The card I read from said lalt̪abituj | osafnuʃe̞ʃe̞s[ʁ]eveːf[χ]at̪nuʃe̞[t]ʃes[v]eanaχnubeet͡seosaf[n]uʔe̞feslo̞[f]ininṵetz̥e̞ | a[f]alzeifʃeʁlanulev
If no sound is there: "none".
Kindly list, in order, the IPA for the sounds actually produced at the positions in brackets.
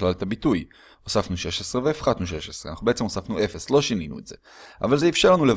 ʁ, χ, none, ʁ, n, ʃ, v

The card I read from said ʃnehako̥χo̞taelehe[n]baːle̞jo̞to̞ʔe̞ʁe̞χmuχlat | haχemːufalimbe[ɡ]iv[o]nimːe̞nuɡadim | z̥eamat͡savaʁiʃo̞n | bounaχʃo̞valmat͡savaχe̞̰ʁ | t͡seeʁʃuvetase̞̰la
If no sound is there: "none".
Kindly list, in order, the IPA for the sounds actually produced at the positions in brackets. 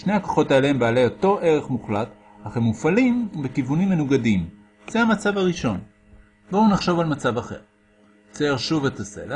m, k, u

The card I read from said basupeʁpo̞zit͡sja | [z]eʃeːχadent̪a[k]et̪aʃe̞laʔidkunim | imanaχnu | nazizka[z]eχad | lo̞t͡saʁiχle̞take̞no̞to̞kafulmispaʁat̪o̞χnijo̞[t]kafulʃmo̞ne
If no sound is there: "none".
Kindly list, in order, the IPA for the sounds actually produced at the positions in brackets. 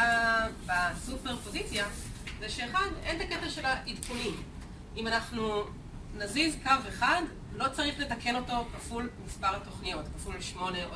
z, k, v, t

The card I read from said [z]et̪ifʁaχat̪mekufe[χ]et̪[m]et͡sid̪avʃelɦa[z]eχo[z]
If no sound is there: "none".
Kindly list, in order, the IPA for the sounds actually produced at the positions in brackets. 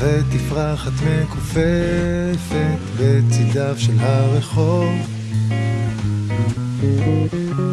v, f, b, ʁ, v

